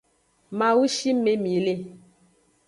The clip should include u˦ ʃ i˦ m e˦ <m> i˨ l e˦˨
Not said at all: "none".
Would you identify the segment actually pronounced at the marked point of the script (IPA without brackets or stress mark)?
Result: m